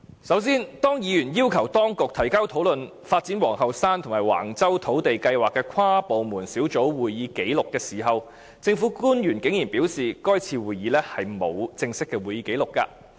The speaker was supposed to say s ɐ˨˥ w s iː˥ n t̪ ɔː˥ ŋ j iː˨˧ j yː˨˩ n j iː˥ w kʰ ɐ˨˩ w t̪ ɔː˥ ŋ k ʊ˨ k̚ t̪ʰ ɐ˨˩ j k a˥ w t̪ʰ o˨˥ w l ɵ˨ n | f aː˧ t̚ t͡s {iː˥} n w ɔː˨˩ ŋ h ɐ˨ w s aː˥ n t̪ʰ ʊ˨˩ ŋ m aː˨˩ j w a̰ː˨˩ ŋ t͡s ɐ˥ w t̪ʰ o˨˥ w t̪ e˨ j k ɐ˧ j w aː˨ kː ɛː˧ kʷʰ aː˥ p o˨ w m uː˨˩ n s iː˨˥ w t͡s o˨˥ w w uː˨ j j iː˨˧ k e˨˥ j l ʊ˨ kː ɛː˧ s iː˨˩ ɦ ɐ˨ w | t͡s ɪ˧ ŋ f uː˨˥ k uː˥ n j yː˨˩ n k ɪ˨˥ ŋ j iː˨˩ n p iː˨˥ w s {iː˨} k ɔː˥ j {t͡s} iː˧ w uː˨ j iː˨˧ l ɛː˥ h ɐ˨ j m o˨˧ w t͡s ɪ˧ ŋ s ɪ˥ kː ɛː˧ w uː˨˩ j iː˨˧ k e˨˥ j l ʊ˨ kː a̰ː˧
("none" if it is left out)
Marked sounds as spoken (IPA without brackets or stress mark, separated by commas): iː˨˥, iː˨, t͡sʰ